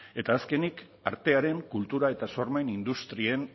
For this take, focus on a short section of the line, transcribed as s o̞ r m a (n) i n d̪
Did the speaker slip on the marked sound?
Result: no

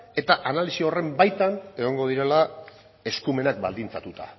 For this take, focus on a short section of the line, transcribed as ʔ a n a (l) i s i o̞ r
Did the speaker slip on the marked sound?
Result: no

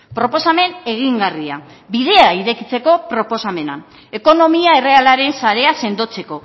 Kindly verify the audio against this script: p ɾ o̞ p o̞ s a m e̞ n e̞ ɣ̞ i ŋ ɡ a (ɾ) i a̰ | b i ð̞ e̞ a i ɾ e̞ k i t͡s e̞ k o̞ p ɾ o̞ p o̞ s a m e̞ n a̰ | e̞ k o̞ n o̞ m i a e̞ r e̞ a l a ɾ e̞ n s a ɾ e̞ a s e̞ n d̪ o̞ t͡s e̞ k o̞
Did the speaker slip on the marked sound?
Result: yes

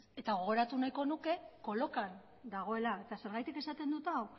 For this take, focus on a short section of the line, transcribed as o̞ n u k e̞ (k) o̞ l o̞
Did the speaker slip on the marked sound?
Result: no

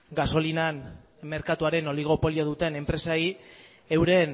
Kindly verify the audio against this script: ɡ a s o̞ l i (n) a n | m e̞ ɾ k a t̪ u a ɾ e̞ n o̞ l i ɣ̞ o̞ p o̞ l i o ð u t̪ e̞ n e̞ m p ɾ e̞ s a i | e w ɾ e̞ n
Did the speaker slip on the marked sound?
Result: no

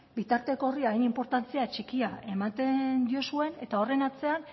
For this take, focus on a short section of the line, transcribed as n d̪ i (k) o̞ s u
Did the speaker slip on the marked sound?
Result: yes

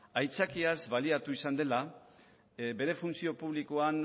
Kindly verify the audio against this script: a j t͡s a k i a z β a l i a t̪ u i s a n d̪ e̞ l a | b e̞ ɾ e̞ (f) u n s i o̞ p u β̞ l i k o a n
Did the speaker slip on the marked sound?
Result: no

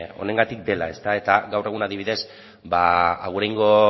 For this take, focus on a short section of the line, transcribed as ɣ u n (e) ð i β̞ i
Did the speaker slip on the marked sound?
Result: yes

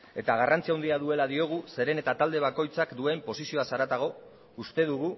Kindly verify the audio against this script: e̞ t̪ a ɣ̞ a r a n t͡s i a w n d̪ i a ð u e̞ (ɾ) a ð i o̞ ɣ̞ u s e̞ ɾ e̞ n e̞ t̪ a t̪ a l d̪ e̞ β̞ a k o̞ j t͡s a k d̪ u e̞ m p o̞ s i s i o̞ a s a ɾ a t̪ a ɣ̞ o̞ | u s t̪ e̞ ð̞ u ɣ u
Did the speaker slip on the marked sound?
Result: yes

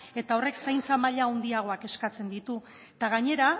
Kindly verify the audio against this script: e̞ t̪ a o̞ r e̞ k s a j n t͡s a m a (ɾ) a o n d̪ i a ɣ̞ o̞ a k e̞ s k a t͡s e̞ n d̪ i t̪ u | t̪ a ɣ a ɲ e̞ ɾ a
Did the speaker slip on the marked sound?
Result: yes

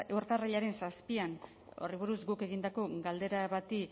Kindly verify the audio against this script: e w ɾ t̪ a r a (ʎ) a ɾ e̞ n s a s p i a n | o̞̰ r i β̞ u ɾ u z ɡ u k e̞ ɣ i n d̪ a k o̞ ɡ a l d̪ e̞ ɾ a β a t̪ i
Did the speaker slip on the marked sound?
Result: no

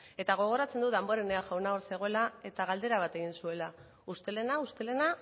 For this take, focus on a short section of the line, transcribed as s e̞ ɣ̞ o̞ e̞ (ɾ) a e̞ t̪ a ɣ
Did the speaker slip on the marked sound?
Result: yes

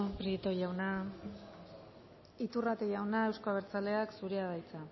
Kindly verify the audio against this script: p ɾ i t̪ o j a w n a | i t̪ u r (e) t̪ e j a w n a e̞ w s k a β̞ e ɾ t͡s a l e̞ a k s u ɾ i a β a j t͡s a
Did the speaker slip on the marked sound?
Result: yes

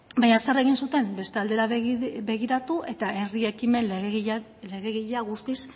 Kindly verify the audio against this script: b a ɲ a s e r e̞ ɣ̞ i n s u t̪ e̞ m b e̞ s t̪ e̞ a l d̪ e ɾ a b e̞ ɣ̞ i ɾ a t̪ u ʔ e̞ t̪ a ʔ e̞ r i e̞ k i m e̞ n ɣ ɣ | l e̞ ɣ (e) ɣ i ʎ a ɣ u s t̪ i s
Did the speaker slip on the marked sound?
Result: no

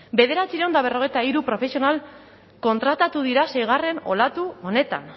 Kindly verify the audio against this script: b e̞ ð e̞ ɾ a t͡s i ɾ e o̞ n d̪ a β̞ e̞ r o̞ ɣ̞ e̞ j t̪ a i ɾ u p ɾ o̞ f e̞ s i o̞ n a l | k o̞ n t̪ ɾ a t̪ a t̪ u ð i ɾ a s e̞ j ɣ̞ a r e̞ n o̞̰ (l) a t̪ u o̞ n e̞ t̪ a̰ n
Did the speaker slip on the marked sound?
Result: no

